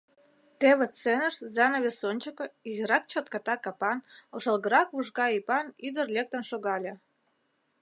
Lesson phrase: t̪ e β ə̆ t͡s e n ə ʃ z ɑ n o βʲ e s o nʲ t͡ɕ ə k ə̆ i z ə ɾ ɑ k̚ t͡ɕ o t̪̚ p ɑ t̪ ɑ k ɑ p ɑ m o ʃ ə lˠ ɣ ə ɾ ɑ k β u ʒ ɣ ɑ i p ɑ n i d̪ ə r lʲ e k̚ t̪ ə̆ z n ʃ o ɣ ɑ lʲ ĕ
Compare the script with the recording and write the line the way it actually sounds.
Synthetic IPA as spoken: t̪ e β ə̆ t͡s e n ə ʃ z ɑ n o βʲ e s o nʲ t͡ɕ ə k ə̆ i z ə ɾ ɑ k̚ t͡ɕ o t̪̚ k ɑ t̪ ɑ k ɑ p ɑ n o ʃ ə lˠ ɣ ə ɾ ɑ k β u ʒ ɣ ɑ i p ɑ n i d̪ ə r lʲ e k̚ t̪ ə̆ n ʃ o ɣ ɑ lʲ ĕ